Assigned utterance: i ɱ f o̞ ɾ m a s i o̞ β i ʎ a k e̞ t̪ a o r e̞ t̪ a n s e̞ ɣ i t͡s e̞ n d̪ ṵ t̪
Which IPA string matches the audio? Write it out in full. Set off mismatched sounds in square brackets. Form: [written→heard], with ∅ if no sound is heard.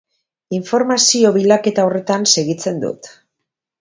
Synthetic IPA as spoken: i ɱ f o̞ ɾ m a s i o̞ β i [ʎ→l] a k e̞ t̪ a o r e̞ t̪ a n s e̞ ɣ i t͡s e̞ n d̪ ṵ t̪

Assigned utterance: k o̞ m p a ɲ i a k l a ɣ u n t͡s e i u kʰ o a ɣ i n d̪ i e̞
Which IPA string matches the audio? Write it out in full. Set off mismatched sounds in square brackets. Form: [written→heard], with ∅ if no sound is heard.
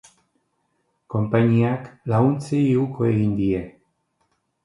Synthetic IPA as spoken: k o̞ m p a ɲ i a k l a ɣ u n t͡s e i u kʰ o [a→e] ɣ i n d̪ i e̞

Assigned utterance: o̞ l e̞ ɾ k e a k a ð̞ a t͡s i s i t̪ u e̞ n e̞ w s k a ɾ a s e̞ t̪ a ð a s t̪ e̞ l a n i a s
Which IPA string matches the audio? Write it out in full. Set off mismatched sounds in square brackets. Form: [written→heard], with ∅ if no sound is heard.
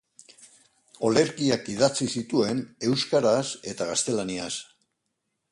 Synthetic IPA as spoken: o̞ l e̞ ɾ k [e→i] a k [a→i] ð̞ a t͡s i s i t̪ u e̞ n e̞ w s k a ɾ a s e̞ t̪ a [ð→ɣ] a s t̪ e̞ l a n i a s

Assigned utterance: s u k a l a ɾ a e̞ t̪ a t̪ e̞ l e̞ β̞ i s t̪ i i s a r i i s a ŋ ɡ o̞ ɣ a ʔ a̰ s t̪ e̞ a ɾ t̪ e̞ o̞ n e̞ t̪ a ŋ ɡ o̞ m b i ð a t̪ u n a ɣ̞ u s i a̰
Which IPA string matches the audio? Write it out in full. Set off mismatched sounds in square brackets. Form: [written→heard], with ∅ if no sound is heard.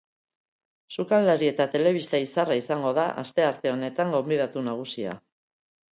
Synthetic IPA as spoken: s u k a l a ɾ [a→i] e̞ t̪ a t̪ e̞ l e̞ β̞ i s t̪ [i→a] i s a r [i→a] i s a ŋ ɡ o̞ [ɣ→ð] a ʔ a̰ s t̪ e̞ a ɾ t̪ e̞ o̞ n e̞ t̪ a ŋ ɡ o̞ m b i ð a t̪ u n a ɣ̞ u s i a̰

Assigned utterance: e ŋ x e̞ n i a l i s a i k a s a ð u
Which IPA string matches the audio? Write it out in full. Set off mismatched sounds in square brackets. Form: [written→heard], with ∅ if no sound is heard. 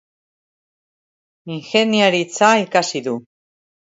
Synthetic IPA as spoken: [e→i] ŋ x e̞ n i a [l→ɾ] i [s→t͡s] a i k a s [a→i] ð u

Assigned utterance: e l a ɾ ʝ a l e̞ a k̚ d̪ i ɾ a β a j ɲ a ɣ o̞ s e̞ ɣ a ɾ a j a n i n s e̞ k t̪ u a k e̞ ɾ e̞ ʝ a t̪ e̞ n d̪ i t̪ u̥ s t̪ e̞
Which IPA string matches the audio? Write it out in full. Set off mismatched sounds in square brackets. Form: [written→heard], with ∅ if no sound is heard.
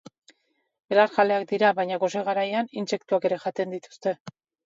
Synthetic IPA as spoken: e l a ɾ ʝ a l e̞ a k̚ d̪ i ɾ a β a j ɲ a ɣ o̞ s e̞ ɣ a ɾ a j a n i n s e̞ k t̪ u a k e̞ ɾ e̞ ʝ a t̪ e̞ n d̪ i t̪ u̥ s t̪ e̞

